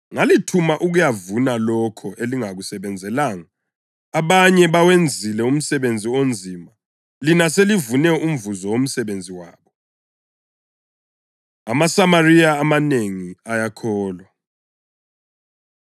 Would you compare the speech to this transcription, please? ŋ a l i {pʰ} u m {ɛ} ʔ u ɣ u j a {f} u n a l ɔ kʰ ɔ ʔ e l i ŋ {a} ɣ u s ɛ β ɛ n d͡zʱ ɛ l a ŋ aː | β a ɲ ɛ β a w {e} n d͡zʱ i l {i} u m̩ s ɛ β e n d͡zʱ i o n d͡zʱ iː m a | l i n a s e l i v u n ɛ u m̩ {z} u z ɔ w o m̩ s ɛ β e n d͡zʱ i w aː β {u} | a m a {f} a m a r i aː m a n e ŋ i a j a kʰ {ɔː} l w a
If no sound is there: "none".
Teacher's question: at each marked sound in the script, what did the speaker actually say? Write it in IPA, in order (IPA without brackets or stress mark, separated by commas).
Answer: tʰ, a, v, a, e, ɛ, v, ɔ, s, ɔː